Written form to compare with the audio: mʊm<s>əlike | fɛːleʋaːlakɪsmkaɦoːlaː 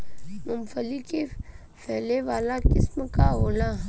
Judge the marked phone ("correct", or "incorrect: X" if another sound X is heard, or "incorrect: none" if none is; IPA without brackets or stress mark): incorrect: f